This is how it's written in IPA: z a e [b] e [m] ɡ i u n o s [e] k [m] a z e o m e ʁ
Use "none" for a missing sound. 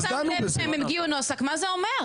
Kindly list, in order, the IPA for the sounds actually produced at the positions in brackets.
m, m, a, m

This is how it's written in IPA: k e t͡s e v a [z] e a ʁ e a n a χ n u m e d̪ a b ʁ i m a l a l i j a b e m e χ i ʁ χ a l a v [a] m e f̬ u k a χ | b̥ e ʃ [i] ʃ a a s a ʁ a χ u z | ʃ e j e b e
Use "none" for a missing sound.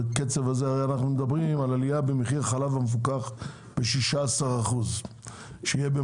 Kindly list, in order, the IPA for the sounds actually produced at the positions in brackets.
z, a, i

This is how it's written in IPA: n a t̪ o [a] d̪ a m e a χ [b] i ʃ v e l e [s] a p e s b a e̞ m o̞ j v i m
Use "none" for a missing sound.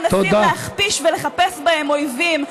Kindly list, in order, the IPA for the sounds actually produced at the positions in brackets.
i, p, χ

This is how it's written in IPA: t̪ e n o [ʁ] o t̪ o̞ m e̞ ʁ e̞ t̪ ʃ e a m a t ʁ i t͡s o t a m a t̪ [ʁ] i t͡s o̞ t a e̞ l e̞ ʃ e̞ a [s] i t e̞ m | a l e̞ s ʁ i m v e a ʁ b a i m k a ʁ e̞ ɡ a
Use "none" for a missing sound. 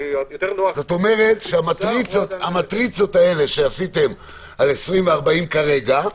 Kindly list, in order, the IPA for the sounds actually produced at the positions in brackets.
z, ʁ, s

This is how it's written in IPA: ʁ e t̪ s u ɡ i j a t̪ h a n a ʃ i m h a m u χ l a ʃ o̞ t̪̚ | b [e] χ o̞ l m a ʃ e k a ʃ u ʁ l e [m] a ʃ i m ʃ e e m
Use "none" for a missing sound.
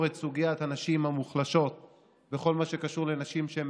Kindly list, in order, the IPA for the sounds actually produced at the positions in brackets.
e, n

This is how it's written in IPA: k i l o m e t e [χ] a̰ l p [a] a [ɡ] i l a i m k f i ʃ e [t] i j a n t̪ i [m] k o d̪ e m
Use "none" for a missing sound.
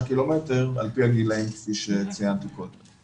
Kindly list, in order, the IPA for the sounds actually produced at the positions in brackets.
ʁ, i, ɡ, t͡s, none

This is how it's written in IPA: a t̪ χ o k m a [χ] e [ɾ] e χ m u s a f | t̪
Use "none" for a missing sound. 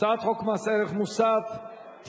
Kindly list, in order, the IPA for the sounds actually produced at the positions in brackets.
s, ɾ

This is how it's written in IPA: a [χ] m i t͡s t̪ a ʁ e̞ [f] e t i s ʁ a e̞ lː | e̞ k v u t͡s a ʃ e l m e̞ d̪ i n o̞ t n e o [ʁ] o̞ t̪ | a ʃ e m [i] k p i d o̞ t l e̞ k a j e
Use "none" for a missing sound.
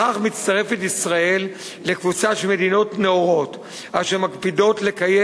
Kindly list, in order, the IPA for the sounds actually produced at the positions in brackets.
χ, f, ʁ, a

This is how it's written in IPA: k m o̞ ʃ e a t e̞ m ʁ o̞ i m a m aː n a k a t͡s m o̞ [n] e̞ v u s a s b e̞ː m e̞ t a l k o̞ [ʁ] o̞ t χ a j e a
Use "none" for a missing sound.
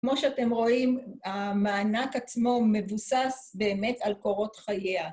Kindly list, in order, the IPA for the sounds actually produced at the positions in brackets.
m, ʁ

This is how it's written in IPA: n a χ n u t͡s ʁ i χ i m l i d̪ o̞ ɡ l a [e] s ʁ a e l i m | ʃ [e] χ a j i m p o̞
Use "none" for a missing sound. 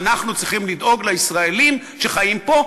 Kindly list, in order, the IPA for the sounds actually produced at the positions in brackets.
i, e

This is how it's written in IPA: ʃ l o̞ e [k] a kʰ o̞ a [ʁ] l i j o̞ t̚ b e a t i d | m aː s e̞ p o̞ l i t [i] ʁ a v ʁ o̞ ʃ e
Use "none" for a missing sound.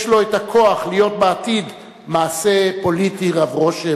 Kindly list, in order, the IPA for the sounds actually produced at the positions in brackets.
t, χ, i

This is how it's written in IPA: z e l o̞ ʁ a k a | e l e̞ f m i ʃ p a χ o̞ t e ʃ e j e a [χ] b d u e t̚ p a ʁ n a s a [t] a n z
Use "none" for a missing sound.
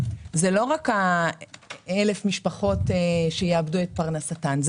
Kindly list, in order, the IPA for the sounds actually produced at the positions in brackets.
none, t

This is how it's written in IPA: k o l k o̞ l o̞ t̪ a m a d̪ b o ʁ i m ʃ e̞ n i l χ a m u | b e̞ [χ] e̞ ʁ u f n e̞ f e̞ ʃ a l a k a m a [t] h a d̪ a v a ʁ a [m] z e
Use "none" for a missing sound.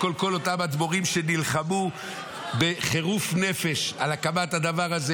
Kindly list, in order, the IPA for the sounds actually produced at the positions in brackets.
χ, t, none

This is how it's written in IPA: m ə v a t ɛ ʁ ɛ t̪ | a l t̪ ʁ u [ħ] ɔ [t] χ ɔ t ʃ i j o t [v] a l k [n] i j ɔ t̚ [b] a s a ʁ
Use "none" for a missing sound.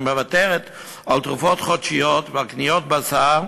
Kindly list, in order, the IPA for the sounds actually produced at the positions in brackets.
f, t, v, n, b

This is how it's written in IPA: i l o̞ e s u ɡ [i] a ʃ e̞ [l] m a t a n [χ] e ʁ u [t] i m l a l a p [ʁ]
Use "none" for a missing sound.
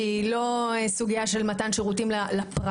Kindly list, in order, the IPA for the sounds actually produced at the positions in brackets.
i, l, ʃ, t, ʁ

